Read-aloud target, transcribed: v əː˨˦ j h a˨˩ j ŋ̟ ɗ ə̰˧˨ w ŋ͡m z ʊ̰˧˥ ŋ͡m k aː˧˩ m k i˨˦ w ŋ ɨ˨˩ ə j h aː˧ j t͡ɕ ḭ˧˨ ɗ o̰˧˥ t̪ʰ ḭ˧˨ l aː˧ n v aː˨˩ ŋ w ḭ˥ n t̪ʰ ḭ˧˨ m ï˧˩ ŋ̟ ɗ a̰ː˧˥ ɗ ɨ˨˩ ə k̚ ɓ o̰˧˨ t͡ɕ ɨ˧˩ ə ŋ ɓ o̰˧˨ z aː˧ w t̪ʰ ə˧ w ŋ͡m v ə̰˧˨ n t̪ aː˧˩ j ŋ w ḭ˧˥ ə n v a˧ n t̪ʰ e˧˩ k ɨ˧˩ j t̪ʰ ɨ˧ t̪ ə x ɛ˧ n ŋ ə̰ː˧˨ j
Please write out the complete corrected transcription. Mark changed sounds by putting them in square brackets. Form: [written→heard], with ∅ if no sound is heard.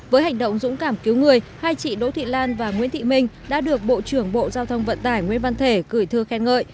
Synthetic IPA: v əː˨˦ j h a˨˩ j ŋ̟ ɗ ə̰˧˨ w ŋ͡m z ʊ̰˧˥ ŋ͡m k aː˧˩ m k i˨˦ w ŋ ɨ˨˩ ə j h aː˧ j t͡ɕ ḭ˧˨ ɗ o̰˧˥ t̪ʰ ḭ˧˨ l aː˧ n v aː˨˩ ŋ w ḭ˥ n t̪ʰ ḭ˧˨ m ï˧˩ ŋ̟ ɗ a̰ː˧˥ ɗ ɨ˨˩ ə k̚ ɓ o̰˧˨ t͡ɕ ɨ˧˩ ə ŋ ɓ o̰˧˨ z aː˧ w t̪ʰ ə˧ w ŋ͡m v ə̰˧˨ n t̪ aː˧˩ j ŋ w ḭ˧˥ ə n v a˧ n t̪ʰ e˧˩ k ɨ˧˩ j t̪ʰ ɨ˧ [t̪→∅] ə x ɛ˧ n ŋ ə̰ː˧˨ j